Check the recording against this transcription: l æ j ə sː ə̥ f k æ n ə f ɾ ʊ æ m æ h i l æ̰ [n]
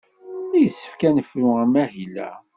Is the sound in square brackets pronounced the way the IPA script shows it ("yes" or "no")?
no